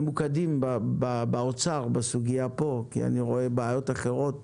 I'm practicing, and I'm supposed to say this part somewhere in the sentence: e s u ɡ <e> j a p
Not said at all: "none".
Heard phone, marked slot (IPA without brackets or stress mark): i